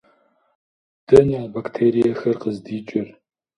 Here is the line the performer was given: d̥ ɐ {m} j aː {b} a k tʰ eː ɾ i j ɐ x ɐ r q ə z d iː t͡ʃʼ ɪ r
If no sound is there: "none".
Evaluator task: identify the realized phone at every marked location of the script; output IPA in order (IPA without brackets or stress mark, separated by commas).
n, b